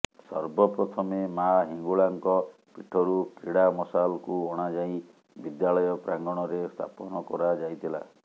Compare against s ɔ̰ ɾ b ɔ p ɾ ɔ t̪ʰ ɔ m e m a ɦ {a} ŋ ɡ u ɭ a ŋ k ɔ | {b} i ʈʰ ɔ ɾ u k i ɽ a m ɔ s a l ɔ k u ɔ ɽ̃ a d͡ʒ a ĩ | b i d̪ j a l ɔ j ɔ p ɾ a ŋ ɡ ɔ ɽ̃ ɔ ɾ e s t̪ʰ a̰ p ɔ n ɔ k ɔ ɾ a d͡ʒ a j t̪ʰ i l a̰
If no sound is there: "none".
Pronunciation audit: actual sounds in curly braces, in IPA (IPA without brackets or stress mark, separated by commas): i, p